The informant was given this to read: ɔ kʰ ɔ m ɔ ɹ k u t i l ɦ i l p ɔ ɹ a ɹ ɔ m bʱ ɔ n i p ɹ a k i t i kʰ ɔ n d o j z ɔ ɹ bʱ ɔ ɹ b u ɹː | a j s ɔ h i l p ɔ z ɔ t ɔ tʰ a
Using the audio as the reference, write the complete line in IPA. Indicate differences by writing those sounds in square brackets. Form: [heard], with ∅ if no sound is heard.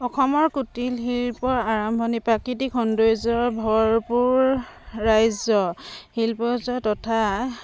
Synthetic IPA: ɔ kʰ ɔ m ɔ ɹ k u t i l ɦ i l p ɔ ɹ a ɹ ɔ m bʱ ɔ n i p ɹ a k i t i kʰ ɔ n d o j z ɔ ɹ bʱ ɔ ɹ [p] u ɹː | a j [z] ɔ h i l p ɔ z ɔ t ɔ tʰ a